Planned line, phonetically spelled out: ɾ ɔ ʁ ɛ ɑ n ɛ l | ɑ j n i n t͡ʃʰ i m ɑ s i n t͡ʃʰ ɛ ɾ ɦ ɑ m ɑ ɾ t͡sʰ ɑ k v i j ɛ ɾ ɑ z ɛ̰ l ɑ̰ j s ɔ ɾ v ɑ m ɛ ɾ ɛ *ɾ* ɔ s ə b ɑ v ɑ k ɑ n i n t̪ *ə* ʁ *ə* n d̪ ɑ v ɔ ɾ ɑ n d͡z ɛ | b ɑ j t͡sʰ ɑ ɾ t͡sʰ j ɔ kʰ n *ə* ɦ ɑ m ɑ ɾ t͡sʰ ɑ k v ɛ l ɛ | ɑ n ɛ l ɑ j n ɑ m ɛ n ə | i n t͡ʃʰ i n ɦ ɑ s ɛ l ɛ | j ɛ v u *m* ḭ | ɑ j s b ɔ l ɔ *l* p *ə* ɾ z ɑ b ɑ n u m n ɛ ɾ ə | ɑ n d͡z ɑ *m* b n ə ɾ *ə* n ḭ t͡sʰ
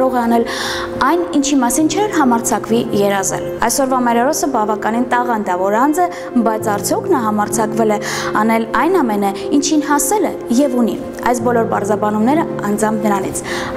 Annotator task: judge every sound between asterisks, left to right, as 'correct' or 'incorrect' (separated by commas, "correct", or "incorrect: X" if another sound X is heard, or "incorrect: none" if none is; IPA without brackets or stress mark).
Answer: correct, incorrect: ɑ, incorrect: ɑ, incorrect: ɑ, incorrect: n, incorrect: ɾ, incorrect: ɑ, correct, incorrect: ɑ